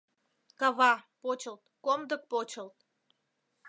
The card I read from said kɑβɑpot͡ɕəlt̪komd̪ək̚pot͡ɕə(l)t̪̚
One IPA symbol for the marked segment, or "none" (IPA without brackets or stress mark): l